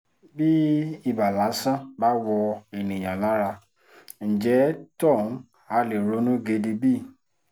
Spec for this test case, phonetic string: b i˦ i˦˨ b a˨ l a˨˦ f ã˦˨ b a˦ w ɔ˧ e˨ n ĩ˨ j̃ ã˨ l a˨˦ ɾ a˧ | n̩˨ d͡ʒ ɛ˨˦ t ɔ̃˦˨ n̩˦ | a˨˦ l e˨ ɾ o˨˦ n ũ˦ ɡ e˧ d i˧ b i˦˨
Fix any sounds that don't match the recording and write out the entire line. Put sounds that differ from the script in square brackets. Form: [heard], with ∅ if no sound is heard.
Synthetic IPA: b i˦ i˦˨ b a˨ l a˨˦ [s] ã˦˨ b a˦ w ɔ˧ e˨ n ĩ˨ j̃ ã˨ l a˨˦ ɾ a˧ | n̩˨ d͡ʒ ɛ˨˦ t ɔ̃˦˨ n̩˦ | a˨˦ l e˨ ɾ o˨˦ n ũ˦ ɡ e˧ d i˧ b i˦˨